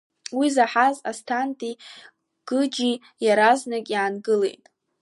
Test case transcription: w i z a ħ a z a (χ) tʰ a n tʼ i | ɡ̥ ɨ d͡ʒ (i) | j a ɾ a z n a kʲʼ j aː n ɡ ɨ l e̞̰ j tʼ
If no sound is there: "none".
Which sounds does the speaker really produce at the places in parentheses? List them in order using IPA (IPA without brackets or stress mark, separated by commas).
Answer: s, i